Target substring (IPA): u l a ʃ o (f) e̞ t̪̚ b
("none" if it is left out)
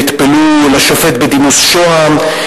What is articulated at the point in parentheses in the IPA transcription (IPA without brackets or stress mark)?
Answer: f